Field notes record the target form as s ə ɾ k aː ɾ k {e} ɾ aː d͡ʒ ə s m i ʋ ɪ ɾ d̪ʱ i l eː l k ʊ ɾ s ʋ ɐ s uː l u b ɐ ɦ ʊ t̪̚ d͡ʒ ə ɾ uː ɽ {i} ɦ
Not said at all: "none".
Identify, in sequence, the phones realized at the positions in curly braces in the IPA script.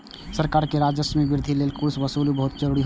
e, i

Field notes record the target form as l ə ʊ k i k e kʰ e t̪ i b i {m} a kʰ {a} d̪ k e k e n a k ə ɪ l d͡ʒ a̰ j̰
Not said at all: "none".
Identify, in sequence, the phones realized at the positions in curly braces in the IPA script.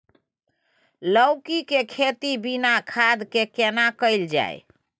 n, a

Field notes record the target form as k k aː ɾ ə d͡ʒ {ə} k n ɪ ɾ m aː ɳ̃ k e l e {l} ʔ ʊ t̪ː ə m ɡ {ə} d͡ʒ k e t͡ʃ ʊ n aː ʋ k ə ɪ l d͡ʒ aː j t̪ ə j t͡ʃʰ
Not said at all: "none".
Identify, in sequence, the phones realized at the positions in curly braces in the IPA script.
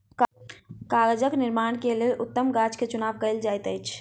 ə, l, a

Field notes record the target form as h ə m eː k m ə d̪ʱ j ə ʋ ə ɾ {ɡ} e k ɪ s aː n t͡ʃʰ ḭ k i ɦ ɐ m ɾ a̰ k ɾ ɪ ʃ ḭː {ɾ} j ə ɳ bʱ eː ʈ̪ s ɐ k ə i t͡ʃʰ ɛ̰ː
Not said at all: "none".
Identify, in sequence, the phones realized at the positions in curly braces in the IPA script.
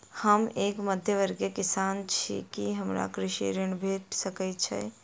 ɡ, ɾ

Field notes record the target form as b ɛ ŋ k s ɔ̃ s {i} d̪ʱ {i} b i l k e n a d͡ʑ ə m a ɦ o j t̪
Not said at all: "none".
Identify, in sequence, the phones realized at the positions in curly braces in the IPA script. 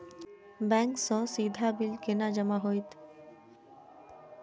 i, a

